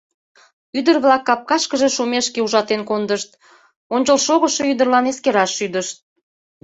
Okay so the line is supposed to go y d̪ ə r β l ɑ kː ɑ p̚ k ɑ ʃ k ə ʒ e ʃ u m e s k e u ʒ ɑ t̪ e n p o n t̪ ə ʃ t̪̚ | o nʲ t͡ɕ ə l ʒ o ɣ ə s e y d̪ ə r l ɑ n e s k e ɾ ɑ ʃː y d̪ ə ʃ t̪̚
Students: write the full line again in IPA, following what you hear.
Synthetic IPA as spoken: y d̪ ə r β l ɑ kː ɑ p̚ k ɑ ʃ k ə ʒ e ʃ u m e ʃ k e u ʒ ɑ t̪ e n k o n d̪ ə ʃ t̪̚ | o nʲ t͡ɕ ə l ʃ o ɣ ə ʃ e y d̪ ə r l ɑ n e s k e ɾ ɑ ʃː y d̪ ə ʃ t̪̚